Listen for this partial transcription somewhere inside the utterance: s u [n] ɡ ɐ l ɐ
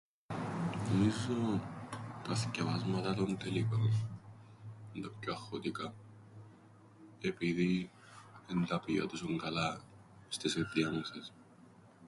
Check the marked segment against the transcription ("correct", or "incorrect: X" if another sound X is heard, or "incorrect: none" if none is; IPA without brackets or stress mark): incorrect: ŋ